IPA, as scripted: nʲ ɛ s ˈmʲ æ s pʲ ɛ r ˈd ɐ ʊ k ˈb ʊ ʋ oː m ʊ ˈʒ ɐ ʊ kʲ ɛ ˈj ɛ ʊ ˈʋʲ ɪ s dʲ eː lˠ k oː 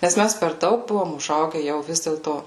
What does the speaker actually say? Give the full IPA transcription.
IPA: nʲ ɛ s ˈmʲ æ s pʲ ɛ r ˈd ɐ ʊ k ˈb ʊ ʋ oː m ʊ ˈʒ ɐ ʊ ɡʲ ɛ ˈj ɛ ʊ ˈʋʲ ɪ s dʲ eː lˠ t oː